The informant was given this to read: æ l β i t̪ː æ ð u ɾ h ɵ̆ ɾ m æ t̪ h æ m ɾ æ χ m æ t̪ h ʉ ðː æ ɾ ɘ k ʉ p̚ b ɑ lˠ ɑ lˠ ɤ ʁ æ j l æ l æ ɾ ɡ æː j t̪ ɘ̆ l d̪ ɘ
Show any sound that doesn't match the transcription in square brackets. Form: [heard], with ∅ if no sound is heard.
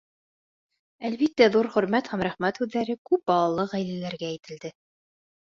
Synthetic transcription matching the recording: æ l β i t̪ː æ ð u ɾ [χ] ɵ̆ ɾ m æ t̪ h æ m ɾ æ χ m æ t̪ h ʉ ðː æ ɾ ɘ k ʉ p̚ b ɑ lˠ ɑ lˠ ɤ ʁ æ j l æ l æ ɾ ɡ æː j t̪ ɘ̆ l d̪ ɘ